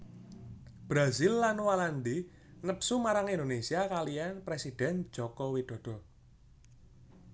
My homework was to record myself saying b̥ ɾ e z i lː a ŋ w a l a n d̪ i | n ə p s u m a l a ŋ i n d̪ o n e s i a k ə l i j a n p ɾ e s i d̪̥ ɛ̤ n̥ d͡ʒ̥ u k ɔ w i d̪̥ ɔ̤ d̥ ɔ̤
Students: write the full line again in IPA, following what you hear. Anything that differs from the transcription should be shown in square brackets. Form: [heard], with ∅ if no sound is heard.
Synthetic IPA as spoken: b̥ ɾ [a] z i lː a [n] w a l a n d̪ i | n ə p s u m a [ɾ] a ŋ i n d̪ o n e s i a k [a] l i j a n p ɾ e s i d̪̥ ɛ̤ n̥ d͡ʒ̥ [ɔ] k ɔ w i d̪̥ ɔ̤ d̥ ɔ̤